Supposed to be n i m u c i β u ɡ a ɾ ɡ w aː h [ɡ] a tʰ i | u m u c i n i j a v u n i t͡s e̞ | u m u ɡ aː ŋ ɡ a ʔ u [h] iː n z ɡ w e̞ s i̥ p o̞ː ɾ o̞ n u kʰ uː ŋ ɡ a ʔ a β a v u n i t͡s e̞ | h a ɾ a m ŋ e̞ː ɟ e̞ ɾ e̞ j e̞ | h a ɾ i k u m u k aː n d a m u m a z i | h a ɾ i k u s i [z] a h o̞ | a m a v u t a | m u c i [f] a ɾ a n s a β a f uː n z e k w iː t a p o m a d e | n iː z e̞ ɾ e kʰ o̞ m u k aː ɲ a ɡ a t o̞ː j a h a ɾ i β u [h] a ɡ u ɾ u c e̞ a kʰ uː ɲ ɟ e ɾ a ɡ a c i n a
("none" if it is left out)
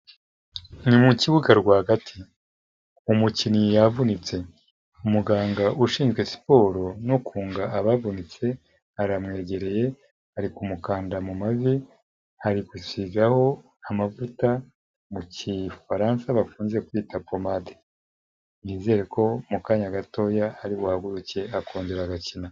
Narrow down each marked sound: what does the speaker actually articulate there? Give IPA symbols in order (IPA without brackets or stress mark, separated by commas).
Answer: ɡ, ʃ, z, f, h